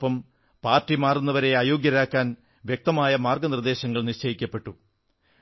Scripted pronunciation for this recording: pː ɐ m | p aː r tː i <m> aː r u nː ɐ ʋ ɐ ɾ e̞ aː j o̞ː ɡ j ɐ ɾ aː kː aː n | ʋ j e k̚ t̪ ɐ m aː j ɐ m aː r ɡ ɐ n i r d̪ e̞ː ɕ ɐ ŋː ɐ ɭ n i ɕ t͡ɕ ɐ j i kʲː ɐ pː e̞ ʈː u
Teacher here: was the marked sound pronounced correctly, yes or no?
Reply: yes